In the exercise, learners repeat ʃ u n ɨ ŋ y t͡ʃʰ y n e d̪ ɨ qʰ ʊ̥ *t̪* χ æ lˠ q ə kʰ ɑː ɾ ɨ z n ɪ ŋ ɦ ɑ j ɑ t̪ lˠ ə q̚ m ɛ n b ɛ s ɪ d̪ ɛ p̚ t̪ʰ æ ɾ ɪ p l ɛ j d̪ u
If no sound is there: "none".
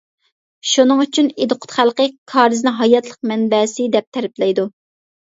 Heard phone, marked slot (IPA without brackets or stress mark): t̪